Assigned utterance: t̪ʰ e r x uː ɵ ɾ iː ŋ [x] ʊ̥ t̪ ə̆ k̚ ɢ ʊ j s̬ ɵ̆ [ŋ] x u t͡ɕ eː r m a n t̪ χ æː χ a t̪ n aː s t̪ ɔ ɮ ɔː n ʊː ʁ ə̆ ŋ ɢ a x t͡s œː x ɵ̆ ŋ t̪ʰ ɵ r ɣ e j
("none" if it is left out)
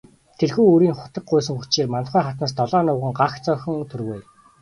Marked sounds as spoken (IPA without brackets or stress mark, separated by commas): χ, ŋ